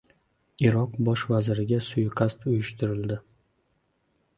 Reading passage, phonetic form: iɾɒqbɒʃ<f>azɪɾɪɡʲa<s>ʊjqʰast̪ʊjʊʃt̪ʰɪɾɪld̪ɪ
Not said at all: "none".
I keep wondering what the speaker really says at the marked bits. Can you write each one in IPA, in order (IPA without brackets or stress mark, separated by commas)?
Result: v, s